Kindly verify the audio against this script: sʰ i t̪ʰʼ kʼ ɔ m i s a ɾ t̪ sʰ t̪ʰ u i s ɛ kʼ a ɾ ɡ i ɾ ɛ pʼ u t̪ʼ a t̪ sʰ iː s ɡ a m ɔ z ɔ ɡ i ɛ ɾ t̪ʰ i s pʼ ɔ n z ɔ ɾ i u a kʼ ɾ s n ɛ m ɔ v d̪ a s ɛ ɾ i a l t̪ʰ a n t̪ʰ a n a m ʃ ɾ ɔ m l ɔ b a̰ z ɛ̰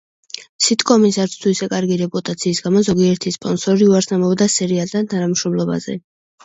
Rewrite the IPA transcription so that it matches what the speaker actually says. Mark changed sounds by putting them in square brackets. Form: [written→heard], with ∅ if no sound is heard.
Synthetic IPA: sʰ i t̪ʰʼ kʼ ɔ m i s a ɾ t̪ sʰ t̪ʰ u i s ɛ kʼ a ɾ ɡ i ɾ ɛ pʼ u t̪ʼ a t̪ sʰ iː s ɡ a m ɔ z ɔ ɡ i ɛ ɾ t̪ʰ i s pʼ ɔ n [z→s] ɔ ɾ i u a [kʼ→∅] ɾ s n [ɛ→a] m ɔ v d̪ a s ɛ ɾ i a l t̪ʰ a n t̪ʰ a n a m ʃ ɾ ɔ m l ɔ b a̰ z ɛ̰